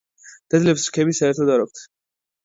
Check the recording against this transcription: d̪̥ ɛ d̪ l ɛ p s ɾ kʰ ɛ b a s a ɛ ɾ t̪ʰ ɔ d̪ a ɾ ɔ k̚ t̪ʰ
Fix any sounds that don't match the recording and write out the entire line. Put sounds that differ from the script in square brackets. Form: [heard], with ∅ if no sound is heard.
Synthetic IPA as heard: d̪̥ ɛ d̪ l ɛ p s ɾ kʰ ɛ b [i] s a ɛ ɾ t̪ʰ ɔ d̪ a ɾ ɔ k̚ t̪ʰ